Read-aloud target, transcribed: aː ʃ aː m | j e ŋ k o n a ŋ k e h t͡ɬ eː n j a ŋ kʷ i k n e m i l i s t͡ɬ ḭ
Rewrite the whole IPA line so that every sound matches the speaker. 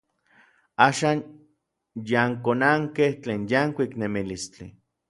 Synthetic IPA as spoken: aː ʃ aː n | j a ŋ k o n a ŋ k e h t͡ɬ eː n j a ŋ kʷ i k n e m i l i s t͡ɬ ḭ